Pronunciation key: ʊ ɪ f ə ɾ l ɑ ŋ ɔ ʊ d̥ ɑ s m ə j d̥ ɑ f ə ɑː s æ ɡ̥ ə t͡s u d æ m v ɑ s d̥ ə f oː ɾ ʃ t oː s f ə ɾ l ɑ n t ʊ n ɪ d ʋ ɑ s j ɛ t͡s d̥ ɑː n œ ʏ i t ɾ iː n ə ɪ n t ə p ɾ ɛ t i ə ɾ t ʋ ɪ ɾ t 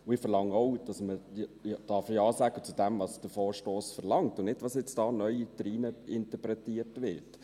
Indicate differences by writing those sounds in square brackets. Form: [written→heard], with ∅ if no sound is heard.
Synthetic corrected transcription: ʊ ɪ f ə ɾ l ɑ ŋ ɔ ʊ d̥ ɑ s m ə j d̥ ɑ f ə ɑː s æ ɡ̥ ə t͡s u d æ m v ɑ s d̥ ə f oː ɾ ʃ t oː s f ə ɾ l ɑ [n→ŋ] t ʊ n ɪ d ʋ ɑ s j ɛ t͡s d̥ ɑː n œ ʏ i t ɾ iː n ə ɪ n t ə p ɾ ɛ t i ə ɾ t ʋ ɪ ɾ t